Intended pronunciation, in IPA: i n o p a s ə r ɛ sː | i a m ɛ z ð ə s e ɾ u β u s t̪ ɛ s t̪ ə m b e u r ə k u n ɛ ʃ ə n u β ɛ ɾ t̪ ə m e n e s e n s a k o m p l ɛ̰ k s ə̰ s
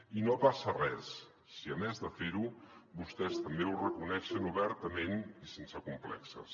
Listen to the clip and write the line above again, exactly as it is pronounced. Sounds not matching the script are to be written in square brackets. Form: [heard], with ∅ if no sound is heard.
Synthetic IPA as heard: i n o p a s ə r ɛ sː | i [ə] m ɛ z ð ə [f] e ɾ u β u s t̪ ɛ s t̪ ə m b e u r ə k u n ɛ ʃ ə n u β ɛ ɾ t̪ ə m e n [i] s e n s [ə] k [u] m p l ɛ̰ k s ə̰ s